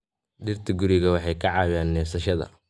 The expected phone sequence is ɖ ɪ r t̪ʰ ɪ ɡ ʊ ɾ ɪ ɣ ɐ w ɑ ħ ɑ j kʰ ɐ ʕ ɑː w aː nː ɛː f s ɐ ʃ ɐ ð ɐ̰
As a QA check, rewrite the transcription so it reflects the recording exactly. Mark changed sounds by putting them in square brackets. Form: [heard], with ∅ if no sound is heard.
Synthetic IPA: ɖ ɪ r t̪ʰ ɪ ɡ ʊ ɾ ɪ ɣ ɐ w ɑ ħ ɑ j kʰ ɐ ʕ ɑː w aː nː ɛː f s ɐ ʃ ɐ ð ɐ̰